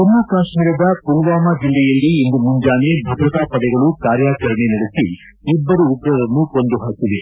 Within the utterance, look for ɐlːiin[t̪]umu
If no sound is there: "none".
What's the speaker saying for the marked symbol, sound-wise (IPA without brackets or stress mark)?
d̪